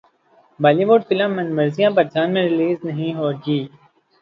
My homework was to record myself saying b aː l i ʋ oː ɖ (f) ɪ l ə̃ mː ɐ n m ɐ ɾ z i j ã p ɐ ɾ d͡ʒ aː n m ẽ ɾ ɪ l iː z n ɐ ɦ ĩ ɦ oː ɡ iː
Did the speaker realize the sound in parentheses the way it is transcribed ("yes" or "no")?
yes